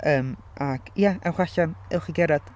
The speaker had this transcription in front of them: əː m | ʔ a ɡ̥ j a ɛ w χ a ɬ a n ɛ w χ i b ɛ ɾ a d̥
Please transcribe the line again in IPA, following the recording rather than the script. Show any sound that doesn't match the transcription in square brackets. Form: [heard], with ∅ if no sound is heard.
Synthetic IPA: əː m | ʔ a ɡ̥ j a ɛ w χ a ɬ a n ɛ w χ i [ɡ] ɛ ɾ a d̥